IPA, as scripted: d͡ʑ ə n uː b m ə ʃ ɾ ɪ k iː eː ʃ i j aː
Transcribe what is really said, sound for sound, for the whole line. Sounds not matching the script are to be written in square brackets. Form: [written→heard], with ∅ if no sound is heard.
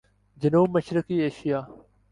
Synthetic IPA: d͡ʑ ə n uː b m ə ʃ ɾ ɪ k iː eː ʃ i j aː